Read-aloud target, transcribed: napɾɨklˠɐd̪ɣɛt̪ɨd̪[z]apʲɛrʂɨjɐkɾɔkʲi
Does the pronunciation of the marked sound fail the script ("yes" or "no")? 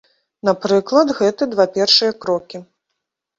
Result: yes